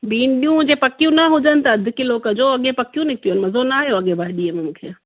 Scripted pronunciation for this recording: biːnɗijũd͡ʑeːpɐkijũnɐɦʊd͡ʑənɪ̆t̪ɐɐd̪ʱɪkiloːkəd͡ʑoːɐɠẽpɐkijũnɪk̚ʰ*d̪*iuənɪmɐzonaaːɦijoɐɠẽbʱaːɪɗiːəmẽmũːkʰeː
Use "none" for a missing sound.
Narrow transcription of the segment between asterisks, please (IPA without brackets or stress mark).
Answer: t̪